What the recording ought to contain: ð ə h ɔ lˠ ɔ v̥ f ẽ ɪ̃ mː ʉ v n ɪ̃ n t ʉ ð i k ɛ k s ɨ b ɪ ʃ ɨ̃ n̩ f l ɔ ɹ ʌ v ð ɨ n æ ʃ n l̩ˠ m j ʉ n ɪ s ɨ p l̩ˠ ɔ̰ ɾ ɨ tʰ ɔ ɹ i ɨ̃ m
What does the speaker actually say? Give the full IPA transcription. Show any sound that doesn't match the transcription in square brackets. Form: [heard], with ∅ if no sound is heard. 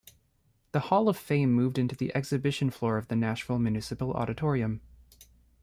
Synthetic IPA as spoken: ð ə h ɔ lˠ [ʌ] v̥ f ẽ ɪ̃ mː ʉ v [d] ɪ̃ n t ʉ ð i [ʔ] ɛ k s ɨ b ɪ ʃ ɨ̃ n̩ f l ɔ ɹ ʌ v ð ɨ n æ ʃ n l̩ˠ m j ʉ n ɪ s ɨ p l̩ˠ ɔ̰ ɾ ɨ tʰ ɔ ɹ i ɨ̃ m

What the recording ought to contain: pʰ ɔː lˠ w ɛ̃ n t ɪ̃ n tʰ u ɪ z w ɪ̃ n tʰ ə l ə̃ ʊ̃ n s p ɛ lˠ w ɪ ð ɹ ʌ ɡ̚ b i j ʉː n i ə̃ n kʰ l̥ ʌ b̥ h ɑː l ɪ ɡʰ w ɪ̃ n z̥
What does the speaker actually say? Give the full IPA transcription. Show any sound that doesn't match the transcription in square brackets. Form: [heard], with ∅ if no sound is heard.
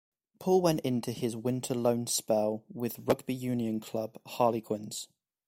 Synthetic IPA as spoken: pʰ ɔː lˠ w ɛ̃ n t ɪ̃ n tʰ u ɪ z w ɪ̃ n tʰ ə l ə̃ ʊ̃ n s p ɛ lˠ w ɪ ð ɹ ʌ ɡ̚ b i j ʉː n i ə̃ n kʰ l̥ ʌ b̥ h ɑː l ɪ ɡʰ w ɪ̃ n z̥

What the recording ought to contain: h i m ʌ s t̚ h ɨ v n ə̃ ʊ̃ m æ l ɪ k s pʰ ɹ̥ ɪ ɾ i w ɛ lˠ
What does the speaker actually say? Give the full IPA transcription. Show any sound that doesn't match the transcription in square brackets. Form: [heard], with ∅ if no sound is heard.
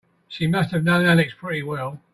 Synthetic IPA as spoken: [ʃ] i m ʌ s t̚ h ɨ v n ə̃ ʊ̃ [n] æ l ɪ k s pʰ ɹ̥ ɪ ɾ i w ɛ lˠ

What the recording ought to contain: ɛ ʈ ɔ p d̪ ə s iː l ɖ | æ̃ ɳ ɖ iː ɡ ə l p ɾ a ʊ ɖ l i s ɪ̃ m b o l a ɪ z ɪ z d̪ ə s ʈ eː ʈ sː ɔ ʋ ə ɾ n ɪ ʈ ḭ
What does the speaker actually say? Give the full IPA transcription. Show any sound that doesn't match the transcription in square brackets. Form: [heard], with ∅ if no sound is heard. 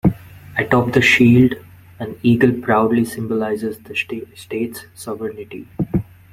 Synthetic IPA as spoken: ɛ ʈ ɔ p d̪ ə [ʃ] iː l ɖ | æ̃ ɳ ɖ iː ɡ ə l p ɾ a ʊ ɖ l i s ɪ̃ m b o l a ɪ z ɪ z d̪ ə s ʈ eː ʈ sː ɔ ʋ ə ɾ n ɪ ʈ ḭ

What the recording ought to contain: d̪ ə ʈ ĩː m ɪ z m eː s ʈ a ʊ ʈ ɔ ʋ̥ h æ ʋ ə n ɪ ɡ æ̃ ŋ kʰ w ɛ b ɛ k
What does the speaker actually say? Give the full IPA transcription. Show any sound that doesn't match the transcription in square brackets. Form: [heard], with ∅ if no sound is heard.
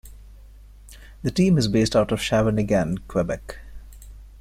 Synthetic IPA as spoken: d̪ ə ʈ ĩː m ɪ z [b] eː s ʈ a ʊ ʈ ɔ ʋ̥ [ʃ] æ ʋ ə n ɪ ɡ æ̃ [n] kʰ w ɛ b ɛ k

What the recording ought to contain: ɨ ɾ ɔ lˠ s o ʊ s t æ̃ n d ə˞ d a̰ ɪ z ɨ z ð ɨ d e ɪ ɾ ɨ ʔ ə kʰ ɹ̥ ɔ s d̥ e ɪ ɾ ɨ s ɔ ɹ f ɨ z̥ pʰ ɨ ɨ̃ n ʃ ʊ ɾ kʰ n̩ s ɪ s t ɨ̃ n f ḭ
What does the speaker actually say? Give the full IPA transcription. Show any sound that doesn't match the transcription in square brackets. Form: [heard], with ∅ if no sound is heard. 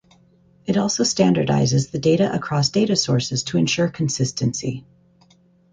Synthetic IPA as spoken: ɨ ɾ ɔ lˠ s o ʊ s t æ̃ n d ə˞ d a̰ ɪ z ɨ z ð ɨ d e ɪ ɾ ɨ ʔ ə kʰ ɹ̥ ɔ s d̥ e ɪ ɾ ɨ s ɔ ɹ [s] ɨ z̥ [tʰ] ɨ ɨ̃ n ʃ ʊ [ɹ] kʰ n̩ s ɪ s t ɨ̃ n [s] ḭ

